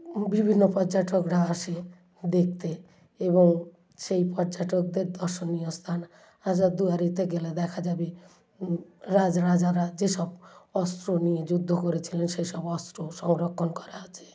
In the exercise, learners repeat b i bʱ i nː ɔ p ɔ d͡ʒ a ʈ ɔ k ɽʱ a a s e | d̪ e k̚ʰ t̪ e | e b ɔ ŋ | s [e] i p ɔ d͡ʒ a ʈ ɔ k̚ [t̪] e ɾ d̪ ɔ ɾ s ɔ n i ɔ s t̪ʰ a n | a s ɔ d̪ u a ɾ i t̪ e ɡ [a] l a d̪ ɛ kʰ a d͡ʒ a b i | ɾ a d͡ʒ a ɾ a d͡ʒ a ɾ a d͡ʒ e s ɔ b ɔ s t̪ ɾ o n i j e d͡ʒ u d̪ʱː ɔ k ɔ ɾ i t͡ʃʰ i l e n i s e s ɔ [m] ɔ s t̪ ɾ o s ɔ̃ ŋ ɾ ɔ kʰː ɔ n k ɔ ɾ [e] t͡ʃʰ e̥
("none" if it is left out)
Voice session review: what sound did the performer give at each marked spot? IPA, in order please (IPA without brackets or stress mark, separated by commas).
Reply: e, d̪, e, b, a